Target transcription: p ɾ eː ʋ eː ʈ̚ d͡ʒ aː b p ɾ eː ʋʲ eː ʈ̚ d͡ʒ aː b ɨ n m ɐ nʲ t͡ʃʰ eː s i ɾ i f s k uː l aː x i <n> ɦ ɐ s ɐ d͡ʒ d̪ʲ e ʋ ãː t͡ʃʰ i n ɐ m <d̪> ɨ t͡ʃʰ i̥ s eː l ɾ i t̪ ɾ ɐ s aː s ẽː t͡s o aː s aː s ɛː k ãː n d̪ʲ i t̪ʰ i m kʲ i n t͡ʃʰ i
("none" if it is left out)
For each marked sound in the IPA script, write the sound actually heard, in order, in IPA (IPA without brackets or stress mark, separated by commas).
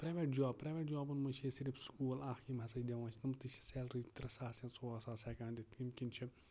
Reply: m, t̪